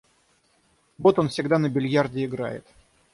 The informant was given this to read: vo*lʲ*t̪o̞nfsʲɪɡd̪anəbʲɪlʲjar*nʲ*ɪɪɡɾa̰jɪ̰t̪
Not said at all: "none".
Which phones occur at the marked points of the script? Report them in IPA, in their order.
none, dʲ

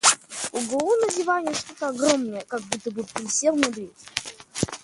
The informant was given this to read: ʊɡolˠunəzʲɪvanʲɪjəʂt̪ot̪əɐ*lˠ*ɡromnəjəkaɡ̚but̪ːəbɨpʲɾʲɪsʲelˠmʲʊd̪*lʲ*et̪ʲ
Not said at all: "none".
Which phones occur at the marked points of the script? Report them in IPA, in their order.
none, ɾʲ

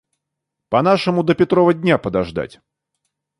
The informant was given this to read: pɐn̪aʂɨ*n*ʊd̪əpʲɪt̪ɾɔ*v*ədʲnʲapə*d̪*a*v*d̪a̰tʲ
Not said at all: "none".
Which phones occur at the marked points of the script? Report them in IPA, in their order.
m, v, d̪, ʐ

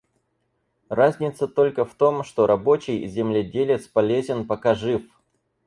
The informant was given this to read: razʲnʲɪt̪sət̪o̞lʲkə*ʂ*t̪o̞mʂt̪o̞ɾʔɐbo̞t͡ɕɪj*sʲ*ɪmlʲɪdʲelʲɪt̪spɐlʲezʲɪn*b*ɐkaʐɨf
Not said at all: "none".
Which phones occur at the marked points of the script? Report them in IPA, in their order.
f, zʲ, p

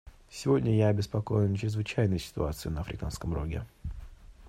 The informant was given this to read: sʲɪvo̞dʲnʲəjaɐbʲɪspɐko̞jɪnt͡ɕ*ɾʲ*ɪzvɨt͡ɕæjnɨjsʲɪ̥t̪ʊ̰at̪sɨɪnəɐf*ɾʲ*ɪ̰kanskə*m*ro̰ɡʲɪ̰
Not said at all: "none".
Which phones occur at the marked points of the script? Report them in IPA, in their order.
ɾʲ, ɾʲ, m

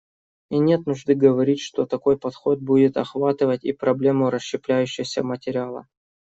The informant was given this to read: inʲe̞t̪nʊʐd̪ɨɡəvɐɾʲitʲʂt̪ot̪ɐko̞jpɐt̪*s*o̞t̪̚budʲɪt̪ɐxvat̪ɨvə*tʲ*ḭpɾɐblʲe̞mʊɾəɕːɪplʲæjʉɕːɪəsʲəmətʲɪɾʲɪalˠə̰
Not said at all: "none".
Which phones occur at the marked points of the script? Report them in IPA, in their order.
x, tʲ

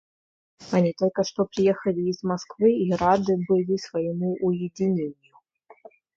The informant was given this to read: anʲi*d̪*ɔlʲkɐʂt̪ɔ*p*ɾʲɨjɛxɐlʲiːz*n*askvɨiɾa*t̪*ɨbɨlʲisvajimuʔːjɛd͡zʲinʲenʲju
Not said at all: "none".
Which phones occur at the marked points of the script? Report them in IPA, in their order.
t̪, p, m, d̪

